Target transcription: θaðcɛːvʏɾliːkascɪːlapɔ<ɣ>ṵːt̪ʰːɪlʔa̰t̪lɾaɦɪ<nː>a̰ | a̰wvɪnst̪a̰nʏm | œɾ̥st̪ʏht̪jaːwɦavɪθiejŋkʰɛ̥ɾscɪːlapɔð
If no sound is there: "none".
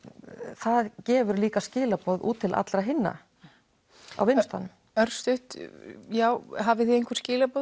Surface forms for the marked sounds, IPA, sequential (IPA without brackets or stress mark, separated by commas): ð, nː